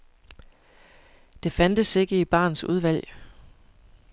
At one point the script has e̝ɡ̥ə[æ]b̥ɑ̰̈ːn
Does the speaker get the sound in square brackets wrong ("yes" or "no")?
yes